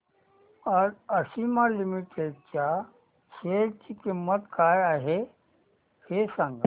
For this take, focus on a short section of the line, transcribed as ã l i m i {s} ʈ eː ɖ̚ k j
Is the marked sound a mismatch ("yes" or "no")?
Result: yes